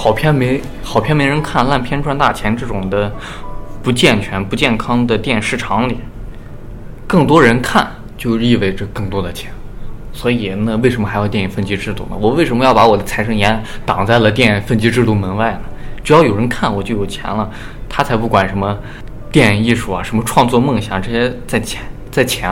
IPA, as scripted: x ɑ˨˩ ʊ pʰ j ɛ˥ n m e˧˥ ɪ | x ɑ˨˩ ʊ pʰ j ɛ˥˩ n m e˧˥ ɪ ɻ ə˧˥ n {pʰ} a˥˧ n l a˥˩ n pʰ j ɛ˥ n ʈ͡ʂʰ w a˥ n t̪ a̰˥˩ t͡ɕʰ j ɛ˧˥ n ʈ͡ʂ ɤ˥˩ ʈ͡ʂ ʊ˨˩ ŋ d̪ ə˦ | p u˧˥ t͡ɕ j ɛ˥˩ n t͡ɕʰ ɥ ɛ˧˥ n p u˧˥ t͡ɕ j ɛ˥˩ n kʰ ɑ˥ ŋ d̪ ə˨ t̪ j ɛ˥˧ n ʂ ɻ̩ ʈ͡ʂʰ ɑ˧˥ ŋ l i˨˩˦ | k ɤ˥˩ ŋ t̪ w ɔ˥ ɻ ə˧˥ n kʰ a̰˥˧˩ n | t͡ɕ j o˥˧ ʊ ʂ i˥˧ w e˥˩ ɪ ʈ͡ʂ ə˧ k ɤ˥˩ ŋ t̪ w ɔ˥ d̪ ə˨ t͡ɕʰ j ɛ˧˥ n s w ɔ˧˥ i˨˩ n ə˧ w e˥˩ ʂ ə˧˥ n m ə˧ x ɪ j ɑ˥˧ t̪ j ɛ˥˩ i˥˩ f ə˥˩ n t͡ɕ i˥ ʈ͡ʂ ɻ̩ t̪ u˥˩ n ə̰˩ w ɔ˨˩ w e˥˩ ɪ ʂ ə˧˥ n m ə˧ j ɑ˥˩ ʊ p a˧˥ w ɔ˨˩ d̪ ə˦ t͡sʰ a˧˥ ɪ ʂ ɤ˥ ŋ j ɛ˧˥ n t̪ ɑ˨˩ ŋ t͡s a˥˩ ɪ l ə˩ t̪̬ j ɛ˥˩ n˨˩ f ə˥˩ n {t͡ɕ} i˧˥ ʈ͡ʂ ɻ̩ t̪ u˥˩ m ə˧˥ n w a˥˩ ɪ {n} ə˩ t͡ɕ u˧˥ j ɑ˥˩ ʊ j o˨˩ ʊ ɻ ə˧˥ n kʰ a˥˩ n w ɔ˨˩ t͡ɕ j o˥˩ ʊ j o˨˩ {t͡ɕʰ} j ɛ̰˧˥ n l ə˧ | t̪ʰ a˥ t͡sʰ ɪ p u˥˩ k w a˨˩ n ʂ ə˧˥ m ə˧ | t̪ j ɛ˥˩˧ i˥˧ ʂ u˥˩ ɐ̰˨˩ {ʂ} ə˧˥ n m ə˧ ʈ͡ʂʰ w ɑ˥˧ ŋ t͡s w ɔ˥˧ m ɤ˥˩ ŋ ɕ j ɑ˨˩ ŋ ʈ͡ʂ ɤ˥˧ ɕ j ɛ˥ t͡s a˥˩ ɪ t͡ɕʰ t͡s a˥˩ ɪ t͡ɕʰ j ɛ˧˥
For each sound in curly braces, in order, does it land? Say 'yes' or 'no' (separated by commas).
no, yes, yes, yes, yes